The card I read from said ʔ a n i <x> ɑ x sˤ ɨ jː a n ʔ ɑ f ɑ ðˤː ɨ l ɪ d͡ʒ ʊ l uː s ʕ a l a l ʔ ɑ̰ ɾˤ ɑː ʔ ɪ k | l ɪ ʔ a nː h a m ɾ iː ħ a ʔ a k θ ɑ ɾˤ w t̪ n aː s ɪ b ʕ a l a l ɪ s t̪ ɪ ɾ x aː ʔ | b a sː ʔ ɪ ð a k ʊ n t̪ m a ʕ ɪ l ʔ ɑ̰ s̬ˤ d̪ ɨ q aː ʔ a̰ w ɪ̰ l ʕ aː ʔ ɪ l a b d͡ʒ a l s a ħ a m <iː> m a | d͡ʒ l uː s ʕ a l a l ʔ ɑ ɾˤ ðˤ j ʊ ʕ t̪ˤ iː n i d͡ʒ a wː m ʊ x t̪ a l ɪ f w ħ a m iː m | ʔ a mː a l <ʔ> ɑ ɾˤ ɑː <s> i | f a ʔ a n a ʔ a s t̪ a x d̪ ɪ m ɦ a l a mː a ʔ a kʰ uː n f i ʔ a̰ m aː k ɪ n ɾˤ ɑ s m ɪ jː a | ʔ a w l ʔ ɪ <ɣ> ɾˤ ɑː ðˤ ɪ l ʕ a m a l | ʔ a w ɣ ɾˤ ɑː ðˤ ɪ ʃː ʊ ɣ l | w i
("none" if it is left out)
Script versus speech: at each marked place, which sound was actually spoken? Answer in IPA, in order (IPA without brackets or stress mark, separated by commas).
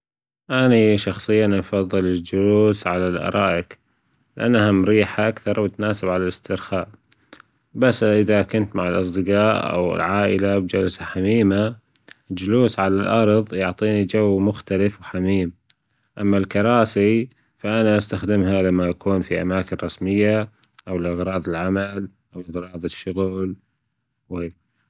ʃ, iː, k, s, ɣ